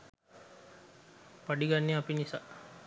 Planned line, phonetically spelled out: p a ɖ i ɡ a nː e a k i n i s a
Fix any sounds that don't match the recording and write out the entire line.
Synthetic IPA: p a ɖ i ɡ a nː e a p i n i s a